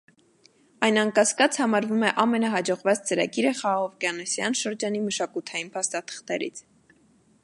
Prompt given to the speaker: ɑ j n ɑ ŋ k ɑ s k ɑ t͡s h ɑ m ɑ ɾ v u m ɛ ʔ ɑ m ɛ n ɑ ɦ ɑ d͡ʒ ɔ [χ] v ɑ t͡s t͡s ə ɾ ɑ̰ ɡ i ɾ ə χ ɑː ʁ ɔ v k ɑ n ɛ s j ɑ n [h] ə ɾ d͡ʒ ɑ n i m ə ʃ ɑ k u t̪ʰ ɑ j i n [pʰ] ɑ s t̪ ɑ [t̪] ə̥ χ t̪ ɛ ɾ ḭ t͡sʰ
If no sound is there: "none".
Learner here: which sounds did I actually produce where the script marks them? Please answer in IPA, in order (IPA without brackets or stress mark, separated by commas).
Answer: ʁ, ʃ, pʰ, t̪ʰ